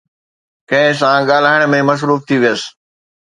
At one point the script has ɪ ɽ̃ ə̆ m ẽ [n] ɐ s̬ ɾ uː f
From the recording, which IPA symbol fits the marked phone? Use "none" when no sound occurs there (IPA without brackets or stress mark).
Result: m